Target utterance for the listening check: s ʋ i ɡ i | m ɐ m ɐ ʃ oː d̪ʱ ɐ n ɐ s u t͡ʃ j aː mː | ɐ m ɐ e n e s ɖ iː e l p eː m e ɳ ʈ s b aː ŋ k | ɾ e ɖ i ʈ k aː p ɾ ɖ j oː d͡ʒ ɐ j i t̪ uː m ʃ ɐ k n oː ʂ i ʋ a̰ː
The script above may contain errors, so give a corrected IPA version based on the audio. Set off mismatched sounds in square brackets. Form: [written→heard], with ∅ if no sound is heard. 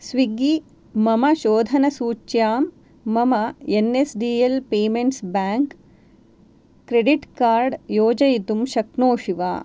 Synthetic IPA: s ʋ i ɡ i | m ɐ m ɐ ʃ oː d̪ʱ ɐ n ɐ s [u→uː] t͡ʃ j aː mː | ɐ m ɐ e n e s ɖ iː e l p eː m e ɳ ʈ s b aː ŋ k | ɾ e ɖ i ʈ k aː [p→∅] ɾ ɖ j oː d͡ʒ ɐ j i t̪ [uː→u] m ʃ ɐ k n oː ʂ i ʋ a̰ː